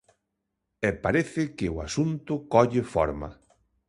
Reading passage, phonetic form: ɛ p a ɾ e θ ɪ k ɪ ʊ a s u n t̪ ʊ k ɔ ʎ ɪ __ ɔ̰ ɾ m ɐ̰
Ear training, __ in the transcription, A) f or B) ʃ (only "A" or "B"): A